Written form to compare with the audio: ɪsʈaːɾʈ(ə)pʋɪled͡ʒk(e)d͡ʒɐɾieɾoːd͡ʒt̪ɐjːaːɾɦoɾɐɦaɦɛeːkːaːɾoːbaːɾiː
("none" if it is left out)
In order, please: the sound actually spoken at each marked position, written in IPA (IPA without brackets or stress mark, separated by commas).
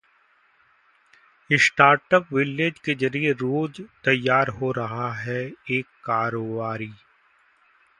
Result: ə, e